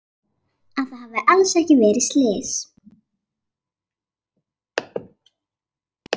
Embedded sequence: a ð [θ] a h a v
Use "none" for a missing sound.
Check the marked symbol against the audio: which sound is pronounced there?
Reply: θ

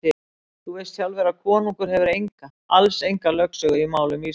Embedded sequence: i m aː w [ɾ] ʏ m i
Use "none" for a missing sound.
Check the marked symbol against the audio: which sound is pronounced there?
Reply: l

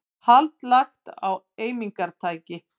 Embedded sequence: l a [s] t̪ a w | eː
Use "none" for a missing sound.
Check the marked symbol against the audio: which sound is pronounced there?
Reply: x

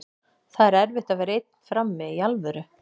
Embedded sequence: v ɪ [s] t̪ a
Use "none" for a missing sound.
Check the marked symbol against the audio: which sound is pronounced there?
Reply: h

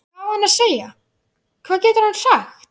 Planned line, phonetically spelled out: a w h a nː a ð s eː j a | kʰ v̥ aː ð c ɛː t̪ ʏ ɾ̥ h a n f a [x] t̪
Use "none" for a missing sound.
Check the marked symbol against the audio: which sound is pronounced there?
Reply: x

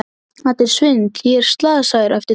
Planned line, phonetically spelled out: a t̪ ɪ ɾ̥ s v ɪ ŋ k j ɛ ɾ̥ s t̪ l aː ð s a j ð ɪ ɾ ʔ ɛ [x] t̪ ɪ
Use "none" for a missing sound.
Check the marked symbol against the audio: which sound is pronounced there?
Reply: f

